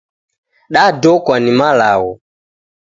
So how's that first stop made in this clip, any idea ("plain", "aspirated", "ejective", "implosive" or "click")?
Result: implosive